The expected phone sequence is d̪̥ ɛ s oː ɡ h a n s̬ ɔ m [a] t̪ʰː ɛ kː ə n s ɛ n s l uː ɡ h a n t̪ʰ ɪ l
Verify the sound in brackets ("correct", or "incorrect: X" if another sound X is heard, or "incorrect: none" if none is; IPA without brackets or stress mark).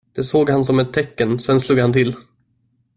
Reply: incorrect: ɛ